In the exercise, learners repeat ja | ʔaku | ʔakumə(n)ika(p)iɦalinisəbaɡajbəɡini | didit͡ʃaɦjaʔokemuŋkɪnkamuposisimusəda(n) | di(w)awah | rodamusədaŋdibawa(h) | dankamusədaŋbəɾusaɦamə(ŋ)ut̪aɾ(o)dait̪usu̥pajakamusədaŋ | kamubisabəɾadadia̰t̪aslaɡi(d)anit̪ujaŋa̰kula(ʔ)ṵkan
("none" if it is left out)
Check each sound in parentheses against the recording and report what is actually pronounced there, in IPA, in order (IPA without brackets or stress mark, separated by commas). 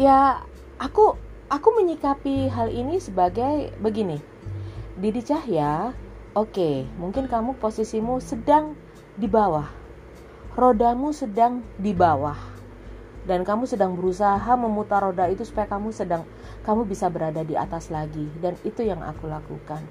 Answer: ɲ, p, ŋ, b, h, m, o, d, k